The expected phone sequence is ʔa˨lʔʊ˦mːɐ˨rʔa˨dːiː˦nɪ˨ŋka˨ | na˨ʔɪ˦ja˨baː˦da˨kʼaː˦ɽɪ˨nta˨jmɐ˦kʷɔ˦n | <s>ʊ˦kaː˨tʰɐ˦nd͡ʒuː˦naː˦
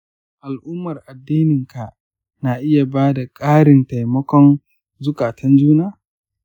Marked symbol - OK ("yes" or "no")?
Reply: no